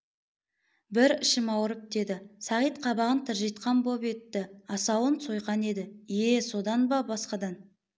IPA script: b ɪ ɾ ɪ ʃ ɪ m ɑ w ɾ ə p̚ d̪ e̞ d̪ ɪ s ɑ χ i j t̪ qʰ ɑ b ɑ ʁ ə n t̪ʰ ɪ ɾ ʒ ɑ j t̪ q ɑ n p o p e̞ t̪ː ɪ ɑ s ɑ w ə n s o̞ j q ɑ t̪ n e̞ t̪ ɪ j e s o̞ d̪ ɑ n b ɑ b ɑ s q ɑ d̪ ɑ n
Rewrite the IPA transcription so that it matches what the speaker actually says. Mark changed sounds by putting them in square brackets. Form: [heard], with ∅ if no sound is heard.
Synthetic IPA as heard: b ɪ ɾ ɪ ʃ ɪ m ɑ w ɾ ə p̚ d̪ e̞ d̪ ɪ s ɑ [ʁ] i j t̪ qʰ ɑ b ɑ ʁ ə n t̪ʰ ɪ ɾ ʒ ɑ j t̪ q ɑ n [b] o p e̞ t̪ː ɪ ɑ s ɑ w ə n s o̞ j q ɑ [∅] n e̞ [d̪] ɪ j e s o̞ d̪ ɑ n b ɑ b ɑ s q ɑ d̪ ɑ n